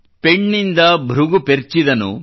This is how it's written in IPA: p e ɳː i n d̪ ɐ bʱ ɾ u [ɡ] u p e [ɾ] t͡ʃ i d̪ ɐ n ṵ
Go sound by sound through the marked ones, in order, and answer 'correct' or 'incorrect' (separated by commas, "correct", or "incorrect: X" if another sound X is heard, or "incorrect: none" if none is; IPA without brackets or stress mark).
correct, correct